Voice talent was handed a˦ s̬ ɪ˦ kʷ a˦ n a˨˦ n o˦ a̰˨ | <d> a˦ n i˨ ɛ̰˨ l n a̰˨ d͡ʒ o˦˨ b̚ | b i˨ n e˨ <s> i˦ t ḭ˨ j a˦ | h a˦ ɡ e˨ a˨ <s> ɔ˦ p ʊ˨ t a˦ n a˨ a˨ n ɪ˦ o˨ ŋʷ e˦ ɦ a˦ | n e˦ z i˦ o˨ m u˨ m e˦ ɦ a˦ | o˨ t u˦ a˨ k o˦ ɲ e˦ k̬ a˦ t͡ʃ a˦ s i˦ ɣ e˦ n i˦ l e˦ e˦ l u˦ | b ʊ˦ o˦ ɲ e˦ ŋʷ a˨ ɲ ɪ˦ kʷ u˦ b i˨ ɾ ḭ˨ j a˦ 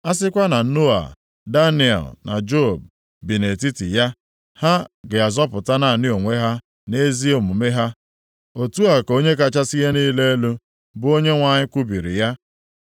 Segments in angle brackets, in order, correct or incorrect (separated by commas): correct, incorrect, incorrect